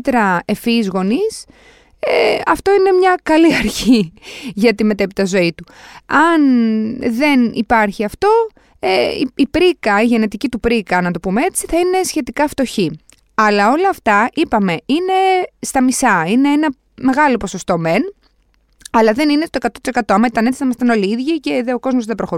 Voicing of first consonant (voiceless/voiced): voiceless